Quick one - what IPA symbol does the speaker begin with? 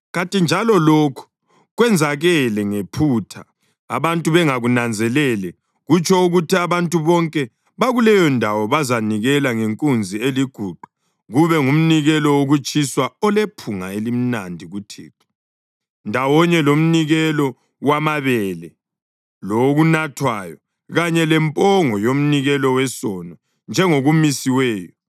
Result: ɣ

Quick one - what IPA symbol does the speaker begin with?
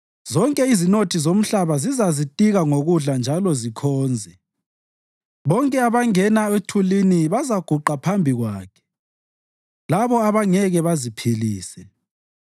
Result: z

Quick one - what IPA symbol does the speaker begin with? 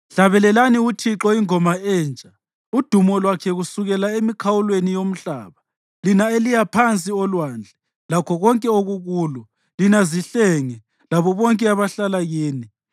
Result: ɬ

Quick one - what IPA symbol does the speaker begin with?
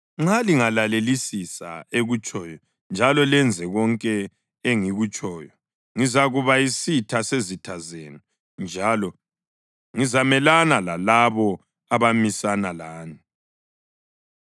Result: ŋ͡ǁ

